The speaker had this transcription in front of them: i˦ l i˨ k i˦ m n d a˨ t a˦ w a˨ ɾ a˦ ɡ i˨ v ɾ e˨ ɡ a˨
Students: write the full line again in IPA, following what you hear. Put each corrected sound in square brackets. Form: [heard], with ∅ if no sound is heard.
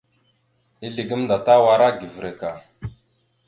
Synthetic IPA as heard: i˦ l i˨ [ɡ] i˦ m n d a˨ t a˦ w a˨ ɾ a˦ ɡ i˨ v ɾ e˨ [k] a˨